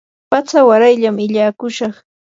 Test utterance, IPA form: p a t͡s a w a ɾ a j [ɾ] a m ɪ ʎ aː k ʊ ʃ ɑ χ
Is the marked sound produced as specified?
no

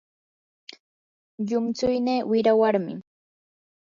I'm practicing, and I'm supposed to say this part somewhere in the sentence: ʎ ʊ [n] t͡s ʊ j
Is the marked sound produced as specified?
no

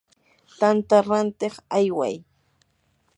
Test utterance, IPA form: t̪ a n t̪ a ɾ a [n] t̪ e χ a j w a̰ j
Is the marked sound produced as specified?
yes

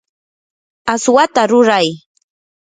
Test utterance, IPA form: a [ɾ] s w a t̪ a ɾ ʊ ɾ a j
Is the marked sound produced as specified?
no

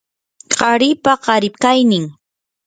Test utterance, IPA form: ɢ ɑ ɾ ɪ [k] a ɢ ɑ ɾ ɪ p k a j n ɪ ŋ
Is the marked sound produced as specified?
no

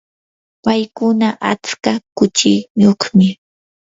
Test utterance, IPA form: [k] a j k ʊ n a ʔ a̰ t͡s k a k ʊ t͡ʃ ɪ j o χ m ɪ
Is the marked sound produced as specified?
no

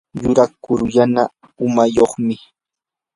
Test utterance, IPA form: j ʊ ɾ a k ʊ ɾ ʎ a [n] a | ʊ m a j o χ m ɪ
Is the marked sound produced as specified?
yes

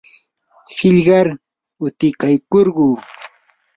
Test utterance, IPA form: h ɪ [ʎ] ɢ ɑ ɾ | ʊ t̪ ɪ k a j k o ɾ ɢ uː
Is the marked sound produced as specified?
yes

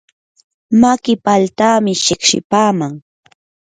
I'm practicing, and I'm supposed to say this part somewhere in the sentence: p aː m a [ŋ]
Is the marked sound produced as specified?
yes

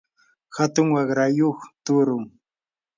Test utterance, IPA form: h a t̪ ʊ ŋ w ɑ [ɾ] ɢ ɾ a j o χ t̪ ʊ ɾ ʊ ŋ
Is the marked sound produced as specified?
no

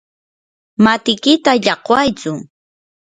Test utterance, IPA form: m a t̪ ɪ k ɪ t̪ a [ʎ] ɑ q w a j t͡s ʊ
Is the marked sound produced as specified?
yes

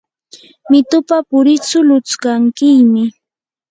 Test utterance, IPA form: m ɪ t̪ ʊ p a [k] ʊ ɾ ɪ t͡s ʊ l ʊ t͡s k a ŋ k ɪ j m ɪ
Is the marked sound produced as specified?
no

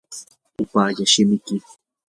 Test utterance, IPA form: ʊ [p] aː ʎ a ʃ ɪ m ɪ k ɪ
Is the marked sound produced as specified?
yes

